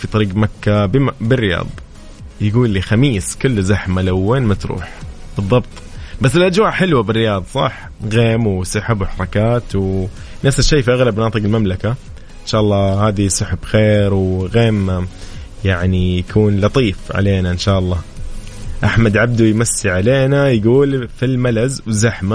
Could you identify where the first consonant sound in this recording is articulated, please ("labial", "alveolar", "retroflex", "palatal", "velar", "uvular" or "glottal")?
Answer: labial